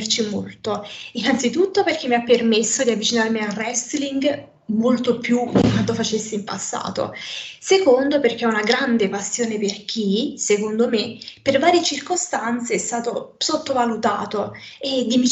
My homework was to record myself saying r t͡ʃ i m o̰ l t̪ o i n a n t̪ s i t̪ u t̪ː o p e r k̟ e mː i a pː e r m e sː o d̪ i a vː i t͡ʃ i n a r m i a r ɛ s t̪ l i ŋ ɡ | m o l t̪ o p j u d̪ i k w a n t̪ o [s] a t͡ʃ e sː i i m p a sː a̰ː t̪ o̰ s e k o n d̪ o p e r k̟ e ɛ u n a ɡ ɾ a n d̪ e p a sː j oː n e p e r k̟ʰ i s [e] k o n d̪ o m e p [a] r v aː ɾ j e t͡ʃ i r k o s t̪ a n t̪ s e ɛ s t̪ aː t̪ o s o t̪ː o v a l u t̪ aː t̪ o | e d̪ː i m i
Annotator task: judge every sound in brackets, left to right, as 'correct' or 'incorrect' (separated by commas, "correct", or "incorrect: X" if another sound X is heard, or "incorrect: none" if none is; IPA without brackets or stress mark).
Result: incorrect: f, correct, incorrect: e